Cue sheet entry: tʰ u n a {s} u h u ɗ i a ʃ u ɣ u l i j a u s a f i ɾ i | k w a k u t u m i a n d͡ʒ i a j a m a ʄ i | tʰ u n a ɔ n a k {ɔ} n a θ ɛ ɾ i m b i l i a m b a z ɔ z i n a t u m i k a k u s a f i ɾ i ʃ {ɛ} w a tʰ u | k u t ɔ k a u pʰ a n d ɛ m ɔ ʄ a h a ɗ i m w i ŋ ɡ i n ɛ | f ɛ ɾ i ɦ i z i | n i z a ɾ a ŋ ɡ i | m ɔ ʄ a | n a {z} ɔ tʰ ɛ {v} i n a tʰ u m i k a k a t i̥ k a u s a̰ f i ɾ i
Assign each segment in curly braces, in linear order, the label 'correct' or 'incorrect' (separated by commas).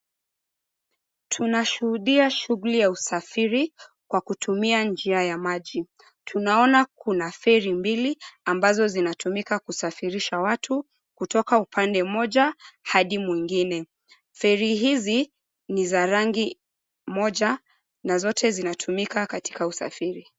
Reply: incorrect, incorrect, incorrect, correct, incorrect